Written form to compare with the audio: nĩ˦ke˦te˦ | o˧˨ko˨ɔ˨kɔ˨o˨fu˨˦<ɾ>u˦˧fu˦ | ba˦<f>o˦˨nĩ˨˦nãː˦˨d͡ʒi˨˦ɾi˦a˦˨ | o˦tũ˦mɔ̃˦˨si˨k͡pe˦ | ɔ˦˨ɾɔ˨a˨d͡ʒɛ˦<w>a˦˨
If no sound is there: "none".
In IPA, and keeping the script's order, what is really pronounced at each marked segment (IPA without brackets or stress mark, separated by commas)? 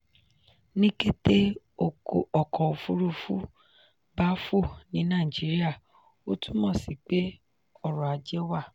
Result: ɾ, f, w